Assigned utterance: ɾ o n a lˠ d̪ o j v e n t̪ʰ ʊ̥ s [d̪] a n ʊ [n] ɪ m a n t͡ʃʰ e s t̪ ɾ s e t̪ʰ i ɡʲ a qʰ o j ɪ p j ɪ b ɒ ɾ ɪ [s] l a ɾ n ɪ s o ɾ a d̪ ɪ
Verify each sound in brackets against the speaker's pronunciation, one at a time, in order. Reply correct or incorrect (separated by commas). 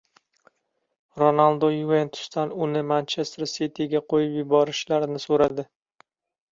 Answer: incorrect, correct, incorrect